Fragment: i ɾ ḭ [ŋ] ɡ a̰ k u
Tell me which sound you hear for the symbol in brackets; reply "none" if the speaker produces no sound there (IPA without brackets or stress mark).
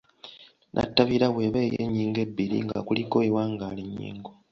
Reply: ŋ